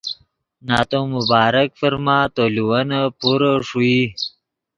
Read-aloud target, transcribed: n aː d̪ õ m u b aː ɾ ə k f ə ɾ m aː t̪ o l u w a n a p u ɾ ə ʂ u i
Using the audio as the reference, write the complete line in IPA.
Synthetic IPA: n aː t̪ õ m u b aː ɾ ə k f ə ɾ m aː t̪ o l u w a n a p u ɾ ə ʂ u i